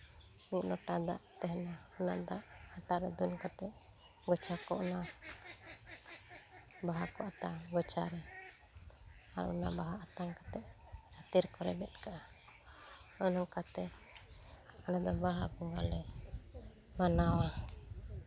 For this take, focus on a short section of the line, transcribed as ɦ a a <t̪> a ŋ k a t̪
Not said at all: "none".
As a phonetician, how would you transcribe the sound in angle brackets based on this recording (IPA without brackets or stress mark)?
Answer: t̪